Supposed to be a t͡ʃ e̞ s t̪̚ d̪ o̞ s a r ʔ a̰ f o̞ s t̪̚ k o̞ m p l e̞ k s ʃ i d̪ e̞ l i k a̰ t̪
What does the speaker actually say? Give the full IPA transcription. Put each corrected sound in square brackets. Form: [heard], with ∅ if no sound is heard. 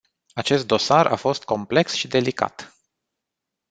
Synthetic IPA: a t͡ʃ e̞ s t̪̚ d̪ o̞ s a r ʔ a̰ f o̞ s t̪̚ k o̞ m p l e̞ k s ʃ i d̪ e̞ l i k a̰ t̪